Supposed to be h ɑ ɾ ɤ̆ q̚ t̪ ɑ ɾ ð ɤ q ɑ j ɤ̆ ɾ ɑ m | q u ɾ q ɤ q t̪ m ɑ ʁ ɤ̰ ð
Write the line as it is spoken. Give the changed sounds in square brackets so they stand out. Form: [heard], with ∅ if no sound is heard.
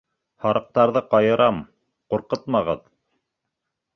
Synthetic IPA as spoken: h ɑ ɾ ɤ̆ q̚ t̪ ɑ ɾ ð ɤ q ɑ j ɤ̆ ɾ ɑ m | q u ɾ q ɤ [∅] t̪ m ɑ ʁ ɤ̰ ð